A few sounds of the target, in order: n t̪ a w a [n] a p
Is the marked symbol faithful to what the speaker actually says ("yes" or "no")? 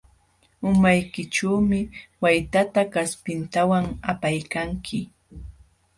no